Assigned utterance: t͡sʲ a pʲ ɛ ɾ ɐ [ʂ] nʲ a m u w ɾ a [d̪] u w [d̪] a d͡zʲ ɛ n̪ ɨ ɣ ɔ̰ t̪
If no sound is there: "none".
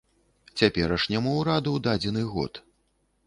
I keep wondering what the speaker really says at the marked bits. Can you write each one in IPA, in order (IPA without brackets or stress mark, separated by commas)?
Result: ʂ, d̪, d̪